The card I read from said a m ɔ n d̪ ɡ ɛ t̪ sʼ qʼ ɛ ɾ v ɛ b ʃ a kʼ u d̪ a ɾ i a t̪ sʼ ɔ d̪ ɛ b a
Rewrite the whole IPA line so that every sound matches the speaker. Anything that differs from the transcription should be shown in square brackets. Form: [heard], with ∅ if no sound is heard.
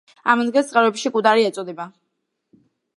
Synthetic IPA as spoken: a m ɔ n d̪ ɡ ɛ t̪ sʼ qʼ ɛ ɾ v ɛ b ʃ [i] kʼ u d̪ a ɾ i [ɛ] t̪ sʼ ɔ d̪ ɛ b a

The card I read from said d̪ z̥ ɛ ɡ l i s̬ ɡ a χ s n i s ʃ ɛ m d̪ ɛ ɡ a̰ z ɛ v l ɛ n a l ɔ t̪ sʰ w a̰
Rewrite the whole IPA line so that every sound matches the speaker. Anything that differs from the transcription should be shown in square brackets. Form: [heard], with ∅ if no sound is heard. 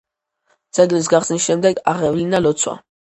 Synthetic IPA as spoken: d̪ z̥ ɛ ɡ l i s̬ ɡ a χ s n i s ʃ ɛ m d̪ ɛ ɡ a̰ [ʁ] ɛ v l [i] n a l ɔ t̪ sʰ w a̰

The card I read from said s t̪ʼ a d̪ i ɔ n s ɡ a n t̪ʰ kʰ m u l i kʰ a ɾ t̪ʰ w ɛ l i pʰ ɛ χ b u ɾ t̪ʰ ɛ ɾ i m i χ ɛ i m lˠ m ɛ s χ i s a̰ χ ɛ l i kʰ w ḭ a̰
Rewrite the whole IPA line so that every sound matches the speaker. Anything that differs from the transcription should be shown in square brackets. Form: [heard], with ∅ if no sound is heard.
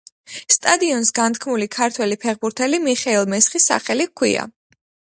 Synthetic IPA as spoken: s t̪ʼ a d̪ i ɔ n s ɡ a n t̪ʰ kʰ m u l i kʰ a ɾ t̪ʰ w ɛ l i pʰ ɛ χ b u ɾ t̪ʰ ɛ [l] i m i χ ɛ i [∅] lˠ m ɛ s χ i s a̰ χ ɛ l i kʰ w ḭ a̰

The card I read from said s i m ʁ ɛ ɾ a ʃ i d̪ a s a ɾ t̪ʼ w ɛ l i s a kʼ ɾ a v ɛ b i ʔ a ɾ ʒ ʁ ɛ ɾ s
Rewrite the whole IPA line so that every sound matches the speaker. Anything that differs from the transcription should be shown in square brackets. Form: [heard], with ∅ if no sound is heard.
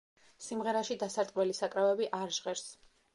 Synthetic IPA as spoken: s i m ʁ ɛ ɾ a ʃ i d̪ a s a ɾ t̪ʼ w ɛ l i s a kʼ ɾ a v ɛ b i ʔ a ɾ ʒ ʁ ɛ ɾ s

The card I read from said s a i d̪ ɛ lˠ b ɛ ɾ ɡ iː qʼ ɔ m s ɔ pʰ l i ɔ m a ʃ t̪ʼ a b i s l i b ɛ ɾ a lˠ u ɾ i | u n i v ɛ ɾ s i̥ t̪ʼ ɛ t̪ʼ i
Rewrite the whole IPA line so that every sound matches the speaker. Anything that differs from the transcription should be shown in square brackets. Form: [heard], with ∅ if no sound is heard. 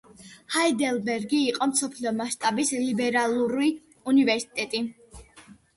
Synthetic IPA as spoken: [h] a i d̪ ɛ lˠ b ɛ ɾ ɡ iː qʼ ɔ m s ɔ pʰ l i ɔ m a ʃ t̪ʼ a b i s l i b ɛ ɾ a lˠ u ɾ i | u n i v ɛ ɾ s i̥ t̪ʼ ɛ t̪ʼ i

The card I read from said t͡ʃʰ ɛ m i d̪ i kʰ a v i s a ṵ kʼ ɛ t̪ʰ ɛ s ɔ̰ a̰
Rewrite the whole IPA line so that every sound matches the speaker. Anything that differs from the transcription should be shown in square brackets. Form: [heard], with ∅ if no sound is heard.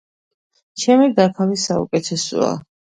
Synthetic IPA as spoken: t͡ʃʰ ɛ m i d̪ [a] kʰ a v i s a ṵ kʼ ɛ t̪ʰ ɛ s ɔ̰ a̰

